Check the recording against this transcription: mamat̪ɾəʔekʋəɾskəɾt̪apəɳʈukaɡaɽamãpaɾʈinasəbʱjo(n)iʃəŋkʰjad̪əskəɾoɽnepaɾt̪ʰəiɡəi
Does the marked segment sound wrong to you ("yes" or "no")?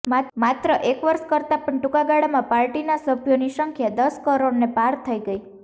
no